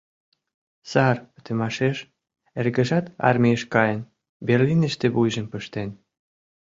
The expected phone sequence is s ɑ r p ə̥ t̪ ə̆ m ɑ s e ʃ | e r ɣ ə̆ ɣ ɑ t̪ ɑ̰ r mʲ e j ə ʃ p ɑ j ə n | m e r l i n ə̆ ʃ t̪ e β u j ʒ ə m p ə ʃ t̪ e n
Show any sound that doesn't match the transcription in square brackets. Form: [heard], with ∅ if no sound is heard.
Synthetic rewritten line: s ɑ r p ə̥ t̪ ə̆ m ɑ [ʃ] e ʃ | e r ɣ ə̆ [ʒ] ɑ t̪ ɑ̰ r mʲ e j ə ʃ [k] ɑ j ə n | [b] e r l i n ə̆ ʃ t̪ e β u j ʒ ə m p ə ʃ t̪ e n

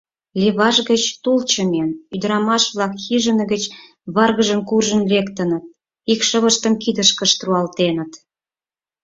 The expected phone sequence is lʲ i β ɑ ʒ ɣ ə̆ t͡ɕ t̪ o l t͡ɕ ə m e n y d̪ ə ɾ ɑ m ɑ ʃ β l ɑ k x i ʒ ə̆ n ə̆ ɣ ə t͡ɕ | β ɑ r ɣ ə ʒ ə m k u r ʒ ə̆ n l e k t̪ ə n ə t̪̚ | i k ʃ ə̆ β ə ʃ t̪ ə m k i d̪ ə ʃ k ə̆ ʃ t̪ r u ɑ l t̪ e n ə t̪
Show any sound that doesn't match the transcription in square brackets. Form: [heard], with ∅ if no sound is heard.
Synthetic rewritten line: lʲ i β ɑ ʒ ɣ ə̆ t͡ɕ t̪ [u] l t͡ɕ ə m e n y d̪ ə ɾ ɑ m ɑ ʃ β l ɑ k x i ʒ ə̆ n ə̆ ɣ ə t͡ɕ | β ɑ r ɣ ə ʒ ə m k u r ʒ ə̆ n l e k t̪ ə n ə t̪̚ | i k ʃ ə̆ β ə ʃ t̪ ə m k i d̪ ə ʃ k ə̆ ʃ t̪ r u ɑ l t̪ e n ə t̪

